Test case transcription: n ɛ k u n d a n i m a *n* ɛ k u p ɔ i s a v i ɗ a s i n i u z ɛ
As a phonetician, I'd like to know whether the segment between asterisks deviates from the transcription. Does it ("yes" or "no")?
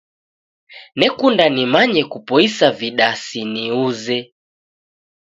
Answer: yes